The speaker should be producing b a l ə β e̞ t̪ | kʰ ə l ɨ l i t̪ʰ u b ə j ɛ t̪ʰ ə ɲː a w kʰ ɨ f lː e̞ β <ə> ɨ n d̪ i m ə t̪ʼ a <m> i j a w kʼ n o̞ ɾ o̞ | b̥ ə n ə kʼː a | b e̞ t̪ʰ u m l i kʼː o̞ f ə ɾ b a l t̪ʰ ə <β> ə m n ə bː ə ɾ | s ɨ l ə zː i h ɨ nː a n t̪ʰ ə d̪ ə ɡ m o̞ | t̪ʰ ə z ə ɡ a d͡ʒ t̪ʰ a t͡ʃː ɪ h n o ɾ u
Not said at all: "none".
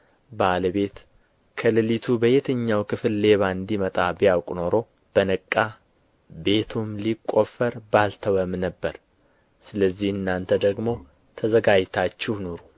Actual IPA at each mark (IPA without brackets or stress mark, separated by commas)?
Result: a, b, w